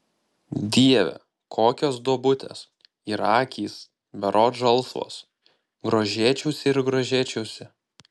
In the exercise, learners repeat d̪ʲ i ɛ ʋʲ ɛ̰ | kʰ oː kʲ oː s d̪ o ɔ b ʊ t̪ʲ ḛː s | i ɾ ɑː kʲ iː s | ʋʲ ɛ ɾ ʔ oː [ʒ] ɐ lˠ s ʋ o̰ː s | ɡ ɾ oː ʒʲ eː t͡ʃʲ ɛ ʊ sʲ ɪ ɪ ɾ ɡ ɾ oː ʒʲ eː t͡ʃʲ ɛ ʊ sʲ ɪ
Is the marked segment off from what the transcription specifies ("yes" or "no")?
no